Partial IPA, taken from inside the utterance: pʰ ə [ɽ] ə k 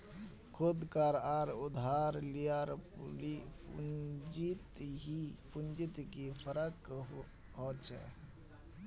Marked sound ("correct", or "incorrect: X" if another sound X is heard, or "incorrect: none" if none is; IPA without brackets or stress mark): incorrect: ɾ